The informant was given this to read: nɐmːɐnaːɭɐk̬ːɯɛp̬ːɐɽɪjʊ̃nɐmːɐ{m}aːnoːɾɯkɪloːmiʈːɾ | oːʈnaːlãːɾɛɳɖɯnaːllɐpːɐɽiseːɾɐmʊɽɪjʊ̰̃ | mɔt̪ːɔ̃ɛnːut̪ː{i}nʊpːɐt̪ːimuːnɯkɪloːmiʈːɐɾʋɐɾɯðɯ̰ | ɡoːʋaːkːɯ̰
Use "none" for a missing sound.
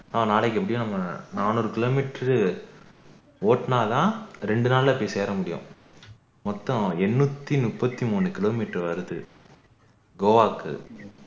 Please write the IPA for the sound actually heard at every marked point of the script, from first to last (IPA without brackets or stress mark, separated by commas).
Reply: n, i